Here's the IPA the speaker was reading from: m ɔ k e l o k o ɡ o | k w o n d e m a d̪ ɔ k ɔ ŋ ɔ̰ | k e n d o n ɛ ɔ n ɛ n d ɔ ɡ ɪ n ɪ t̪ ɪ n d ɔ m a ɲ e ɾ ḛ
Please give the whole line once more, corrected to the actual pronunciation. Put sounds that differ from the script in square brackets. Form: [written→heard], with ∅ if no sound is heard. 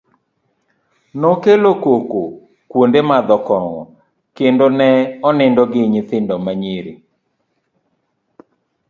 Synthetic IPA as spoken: [m→n] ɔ k e l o k o [ɡ→k] o | k w o n d e m a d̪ ɔ k ɔ ŋ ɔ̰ | k e n d o n ɛ ɔ n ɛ n d ɔ ɡ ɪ [n→ɲ] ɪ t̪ ɪ n d ɔ m a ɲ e ɾ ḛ